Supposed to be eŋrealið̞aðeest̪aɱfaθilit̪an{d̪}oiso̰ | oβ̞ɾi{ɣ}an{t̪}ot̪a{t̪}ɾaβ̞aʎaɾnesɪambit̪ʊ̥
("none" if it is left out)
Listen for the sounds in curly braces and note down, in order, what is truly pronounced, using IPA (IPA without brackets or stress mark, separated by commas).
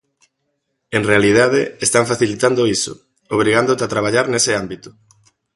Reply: d̪, ɣ, d̪, t̪